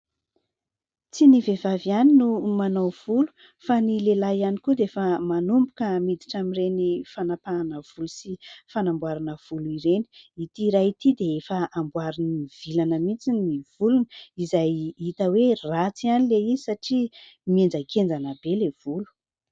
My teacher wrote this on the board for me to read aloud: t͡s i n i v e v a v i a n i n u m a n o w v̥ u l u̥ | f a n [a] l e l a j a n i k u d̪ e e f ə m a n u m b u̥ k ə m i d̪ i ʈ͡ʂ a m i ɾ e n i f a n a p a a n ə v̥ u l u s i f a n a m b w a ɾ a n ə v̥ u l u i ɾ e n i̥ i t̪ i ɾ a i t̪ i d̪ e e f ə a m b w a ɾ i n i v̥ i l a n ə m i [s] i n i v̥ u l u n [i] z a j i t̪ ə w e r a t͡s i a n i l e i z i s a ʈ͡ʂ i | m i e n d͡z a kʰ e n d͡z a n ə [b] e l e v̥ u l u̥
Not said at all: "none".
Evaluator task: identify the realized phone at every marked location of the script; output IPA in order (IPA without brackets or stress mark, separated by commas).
i, t͡s, i, b